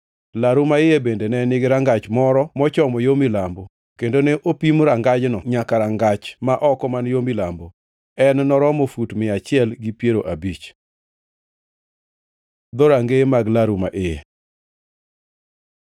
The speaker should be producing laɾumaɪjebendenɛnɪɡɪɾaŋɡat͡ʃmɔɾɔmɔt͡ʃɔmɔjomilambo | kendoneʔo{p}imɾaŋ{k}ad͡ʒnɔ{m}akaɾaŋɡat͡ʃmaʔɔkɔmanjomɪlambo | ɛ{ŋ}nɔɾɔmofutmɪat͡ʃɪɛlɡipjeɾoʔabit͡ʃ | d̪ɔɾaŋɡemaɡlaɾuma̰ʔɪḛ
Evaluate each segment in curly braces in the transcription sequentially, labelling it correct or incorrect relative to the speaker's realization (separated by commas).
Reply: correct, incorrect, incorrect, incorrect